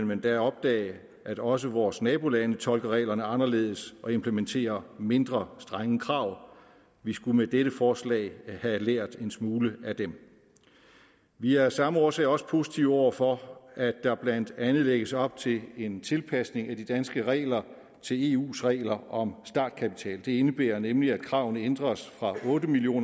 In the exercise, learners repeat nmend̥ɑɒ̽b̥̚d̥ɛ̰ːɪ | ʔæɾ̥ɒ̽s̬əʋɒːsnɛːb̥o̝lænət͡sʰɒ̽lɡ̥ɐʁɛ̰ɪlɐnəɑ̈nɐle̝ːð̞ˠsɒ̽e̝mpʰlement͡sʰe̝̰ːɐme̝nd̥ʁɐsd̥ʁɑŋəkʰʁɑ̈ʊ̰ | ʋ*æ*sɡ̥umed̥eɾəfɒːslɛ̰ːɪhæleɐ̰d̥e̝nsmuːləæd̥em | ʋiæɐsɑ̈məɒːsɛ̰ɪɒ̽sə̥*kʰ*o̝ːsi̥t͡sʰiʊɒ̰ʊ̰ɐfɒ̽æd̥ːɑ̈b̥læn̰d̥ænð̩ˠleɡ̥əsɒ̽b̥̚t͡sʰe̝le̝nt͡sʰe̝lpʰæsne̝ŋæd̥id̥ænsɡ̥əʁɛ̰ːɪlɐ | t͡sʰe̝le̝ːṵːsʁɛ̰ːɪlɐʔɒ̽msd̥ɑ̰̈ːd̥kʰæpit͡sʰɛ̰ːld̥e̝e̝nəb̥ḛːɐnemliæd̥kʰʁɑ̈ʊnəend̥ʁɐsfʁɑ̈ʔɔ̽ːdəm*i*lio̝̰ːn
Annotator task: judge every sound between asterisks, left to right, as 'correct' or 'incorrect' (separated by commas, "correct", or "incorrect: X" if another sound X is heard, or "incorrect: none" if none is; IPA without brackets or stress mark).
incorrect: i, incorrect: pʰ, correct